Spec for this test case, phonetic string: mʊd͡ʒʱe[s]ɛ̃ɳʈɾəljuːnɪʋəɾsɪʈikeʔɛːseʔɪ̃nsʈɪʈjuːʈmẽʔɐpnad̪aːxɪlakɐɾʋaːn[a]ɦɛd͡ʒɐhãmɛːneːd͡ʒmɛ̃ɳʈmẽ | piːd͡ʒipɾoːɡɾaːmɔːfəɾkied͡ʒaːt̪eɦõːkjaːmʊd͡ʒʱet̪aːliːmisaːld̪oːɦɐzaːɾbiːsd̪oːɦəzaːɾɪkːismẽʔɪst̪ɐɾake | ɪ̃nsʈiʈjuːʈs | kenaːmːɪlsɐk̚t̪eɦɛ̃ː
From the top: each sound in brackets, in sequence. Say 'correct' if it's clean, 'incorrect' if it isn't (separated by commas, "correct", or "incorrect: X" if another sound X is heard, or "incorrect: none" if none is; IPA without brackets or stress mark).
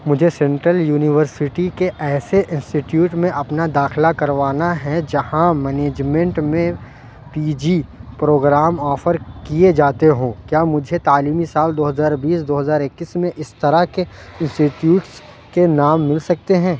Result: correct, correct